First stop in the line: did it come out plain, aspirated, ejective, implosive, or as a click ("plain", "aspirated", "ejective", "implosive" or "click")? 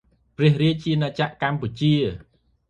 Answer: plain